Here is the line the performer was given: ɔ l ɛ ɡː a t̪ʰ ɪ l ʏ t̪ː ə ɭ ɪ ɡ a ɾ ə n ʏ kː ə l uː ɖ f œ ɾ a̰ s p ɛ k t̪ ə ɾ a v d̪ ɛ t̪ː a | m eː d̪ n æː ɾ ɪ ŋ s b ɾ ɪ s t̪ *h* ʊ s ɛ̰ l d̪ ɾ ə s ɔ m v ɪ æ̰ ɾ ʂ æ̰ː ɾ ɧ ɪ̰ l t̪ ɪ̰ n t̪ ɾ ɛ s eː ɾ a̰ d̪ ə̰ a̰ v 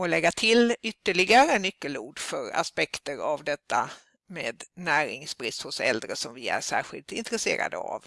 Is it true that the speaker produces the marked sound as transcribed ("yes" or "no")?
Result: yes